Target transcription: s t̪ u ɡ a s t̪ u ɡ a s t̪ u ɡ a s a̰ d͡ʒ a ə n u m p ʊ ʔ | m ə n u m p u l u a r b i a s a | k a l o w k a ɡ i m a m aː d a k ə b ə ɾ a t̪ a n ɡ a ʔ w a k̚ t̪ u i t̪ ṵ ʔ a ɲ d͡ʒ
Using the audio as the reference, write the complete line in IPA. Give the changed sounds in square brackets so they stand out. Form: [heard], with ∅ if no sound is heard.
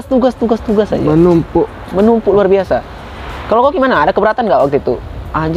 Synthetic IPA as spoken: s t̪ u ɡ a s t̪ u ɡ a s t̪ u ɡ a s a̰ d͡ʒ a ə n u m p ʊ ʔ | m ə n u m p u l u a r b i a s a | k a l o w k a ɡ i m a [n] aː d a k ə b ə ɾ a t̪ a n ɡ a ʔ w a k̚ t̪ u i t̪ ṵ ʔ a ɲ d͡ʒ